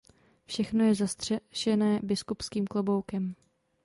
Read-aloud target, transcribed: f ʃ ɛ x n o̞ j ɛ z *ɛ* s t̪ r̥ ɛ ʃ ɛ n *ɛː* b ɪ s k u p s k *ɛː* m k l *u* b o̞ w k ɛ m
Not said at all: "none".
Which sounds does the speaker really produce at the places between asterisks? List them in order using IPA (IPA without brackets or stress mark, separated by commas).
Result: a, ɛː, iː, o